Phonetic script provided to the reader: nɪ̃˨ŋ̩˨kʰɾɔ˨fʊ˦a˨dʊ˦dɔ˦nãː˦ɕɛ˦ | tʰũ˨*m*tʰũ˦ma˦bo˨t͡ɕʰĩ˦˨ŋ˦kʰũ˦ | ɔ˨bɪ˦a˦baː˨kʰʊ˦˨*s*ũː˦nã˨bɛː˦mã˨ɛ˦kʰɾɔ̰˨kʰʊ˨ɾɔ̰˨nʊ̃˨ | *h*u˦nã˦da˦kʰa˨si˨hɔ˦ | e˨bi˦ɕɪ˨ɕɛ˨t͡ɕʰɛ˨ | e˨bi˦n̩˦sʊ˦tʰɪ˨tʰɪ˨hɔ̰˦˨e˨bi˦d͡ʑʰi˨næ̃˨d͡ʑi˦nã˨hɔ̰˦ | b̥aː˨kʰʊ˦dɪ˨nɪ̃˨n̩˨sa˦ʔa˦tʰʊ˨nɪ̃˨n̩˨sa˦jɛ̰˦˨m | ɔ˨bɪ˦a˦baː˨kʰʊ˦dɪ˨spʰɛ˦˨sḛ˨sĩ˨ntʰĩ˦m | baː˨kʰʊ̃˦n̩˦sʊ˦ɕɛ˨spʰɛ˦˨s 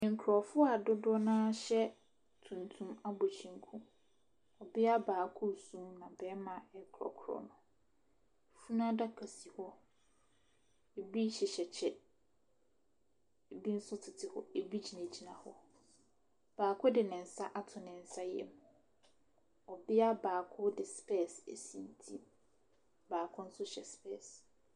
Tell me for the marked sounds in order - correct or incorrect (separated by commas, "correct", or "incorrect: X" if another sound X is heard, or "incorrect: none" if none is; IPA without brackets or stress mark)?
incorrect: n, correct, incorrect: f